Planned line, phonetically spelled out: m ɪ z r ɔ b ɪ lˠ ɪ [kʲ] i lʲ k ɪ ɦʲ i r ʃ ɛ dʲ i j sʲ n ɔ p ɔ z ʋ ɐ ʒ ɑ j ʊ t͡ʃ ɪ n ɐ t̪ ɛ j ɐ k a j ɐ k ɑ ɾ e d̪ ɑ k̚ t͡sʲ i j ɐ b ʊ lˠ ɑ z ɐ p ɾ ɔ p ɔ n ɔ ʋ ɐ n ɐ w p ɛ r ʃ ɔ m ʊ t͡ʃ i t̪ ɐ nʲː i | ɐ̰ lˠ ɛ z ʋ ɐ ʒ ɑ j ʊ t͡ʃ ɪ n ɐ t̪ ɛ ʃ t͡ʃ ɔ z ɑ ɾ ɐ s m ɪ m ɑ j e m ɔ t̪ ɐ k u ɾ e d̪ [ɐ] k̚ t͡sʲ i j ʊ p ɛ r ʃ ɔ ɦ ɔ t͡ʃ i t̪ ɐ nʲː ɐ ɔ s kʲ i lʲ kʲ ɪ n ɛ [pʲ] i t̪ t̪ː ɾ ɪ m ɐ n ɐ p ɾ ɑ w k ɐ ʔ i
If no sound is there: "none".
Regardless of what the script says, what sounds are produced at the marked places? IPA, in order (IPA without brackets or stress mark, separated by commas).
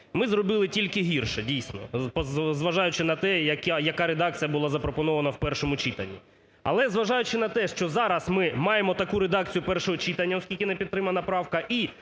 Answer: tʲ, ɑ, pʲ